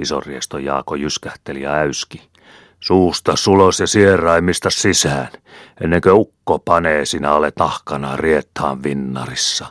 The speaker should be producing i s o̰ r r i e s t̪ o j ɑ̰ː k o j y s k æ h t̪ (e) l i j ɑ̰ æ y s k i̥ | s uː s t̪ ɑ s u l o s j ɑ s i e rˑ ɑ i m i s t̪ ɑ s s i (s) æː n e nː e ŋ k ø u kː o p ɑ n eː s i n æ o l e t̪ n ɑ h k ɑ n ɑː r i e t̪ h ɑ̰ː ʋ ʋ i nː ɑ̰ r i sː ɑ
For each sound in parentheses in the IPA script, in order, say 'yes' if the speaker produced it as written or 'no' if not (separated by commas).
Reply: yes, yes